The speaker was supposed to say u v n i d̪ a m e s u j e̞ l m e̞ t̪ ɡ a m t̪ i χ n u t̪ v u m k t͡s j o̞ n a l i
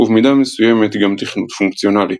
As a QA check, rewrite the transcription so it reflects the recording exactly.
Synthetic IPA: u v m i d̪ a m e s u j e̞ m e̞ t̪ ɡ a m t̪ i χ n u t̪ f u ŋ k t͡s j o̞ n a l i